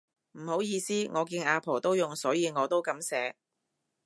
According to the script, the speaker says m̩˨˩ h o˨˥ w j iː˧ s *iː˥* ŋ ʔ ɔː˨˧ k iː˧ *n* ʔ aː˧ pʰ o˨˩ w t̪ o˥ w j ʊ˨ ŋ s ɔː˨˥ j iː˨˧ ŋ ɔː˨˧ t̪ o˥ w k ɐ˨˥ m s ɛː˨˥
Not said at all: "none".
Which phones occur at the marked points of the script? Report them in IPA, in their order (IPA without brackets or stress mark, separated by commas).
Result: iː˥, n